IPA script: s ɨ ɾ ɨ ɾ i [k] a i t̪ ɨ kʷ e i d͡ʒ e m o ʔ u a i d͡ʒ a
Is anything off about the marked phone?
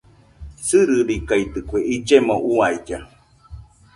no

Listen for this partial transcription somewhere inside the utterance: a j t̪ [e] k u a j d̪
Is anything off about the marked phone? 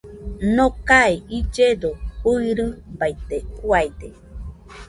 no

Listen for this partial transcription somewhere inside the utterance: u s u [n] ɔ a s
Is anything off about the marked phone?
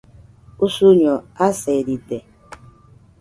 yes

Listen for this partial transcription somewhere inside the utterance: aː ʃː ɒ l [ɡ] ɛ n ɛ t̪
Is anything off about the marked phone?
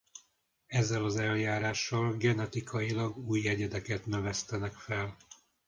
no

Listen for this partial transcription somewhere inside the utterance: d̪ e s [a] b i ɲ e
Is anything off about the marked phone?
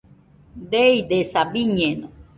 no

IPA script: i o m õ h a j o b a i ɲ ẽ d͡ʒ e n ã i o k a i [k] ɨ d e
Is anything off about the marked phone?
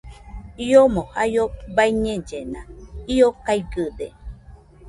yes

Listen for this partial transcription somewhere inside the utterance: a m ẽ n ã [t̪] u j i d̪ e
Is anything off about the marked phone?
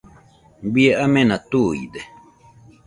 no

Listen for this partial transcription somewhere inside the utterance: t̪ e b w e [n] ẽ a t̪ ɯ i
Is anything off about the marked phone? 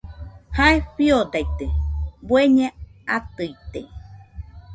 yes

